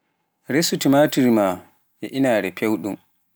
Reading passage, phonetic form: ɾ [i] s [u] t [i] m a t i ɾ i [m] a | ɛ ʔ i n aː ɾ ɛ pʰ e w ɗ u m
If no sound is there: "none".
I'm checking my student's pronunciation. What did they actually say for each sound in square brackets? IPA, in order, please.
e, u, i, m

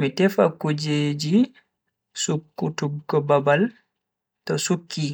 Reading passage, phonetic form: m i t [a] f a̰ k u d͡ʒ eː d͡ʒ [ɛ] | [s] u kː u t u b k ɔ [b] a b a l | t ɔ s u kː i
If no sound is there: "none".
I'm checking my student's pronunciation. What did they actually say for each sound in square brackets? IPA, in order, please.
ɛ, i, s, b

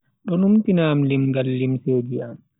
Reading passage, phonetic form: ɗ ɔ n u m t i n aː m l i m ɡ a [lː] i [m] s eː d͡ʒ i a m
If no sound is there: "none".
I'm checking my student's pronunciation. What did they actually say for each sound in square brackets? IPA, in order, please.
lː, m

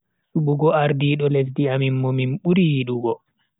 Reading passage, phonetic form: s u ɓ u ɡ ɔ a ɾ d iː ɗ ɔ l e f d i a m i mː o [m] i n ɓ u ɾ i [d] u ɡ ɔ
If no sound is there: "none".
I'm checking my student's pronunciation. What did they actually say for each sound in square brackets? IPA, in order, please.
m, ɗ

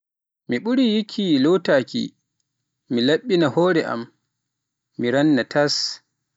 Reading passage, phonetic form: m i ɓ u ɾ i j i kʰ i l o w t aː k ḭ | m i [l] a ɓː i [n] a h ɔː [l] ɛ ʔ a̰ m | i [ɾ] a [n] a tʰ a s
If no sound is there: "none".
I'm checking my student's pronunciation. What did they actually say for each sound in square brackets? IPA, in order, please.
l, n, ɾ, ɾ, nː

